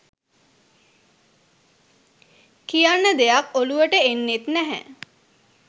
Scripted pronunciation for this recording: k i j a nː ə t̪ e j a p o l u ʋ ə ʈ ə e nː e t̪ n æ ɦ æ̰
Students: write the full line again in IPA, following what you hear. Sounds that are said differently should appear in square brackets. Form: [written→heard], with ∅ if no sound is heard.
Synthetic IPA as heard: k i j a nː ə [t̪→d̪] e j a [p→k] o l u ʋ ə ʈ ə e nː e t̪ n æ ɦ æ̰